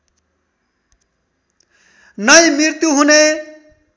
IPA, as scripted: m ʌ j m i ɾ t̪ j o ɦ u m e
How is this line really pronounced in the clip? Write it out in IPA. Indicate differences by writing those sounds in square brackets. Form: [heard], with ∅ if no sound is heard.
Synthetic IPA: [n] ʌ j m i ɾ t̪ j [u] ɦ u [n] e